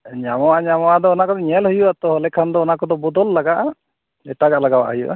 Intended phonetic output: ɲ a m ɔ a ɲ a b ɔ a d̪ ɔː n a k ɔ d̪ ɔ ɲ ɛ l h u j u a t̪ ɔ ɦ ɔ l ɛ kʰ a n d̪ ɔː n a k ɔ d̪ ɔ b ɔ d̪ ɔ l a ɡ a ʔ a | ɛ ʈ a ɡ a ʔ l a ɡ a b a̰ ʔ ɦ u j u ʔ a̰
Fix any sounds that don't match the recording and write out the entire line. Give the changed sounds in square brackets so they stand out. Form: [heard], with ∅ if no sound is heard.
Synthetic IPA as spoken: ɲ a m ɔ a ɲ a [m] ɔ a d̪ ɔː n a k ɔ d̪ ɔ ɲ ɛ l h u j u a t̪ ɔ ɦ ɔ l ɛ kʰ a n d̪ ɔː n a k ɔ d̪ ɔ b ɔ d̪ ɔ [lː] a ɡ a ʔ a | ɛ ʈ a ɡ a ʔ l a ɡ a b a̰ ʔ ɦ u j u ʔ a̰